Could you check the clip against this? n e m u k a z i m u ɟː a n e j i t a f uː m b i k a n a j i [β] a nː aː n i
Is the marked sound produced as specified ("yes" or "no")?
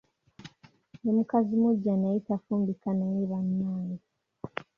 yes